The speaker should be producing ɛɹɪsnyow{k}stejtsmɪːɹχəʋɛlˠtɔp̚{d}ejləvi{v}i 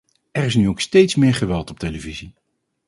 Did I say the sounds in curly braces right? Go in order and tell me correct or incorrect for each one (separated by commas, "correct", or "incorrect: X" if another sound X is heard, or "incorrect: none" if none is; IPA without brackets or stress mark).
correct, incorrect: t, incorrect: z